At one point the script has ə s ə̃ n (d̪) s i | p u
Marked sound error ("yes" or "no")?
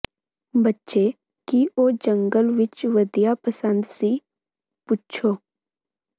no